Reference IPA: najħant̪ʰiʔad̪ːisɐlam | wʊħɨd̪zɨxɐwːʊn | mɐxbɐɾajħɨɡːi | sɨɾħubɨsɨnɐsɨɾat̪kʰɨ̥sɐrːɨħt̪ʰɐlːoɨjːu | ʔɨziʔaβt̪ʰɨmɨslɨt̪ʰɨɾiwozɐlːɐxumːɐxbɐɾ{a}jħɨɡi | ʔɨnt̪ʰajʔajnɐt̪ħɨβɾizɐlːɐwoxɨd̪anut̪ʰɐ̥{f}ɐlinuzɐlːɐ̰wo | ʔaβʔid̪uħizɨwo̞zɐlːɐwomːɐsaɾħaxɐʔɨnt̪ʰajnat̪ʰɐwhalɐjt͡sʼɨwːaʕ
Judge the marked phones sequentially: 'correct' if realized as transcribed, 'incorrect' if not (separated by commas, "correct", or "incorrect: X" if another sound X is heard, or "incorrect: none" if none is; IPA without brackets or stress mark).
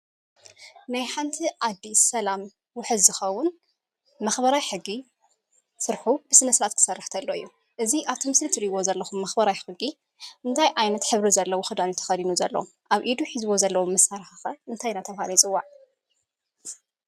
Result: correct, incorrect: x